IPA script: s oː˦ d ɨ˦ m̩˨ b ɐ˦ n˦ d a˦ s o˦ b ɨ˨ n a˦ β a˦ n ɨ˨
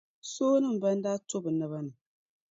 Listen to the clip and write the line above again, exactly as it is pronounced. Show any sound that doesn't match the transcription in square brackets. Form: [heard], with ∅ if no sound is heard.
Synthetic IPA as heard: s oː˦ [n] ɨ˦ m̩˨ b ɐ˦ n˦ d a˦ [t] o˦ b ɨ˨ n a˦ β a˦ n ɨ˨